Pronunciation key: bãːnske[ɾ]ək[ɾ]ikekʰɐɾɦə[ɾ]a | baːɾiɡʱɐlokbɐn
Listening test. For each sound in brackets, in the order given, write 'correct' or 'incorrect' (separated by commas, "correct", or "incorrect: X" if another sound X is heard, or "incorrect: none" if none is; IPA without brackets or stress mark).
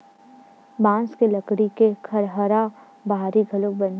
incorrect: l, incorrect: ɽ, correct